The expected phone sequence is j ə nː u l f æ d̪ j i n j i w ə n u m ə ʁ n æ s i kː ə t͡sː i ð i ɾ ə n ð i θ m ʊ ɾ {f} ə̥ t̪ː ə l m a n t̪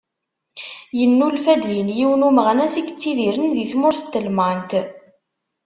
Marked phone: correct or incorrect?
incorrect